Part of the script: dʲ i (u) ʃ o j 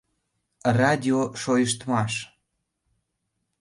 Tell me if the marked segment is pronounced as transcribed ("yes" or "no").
no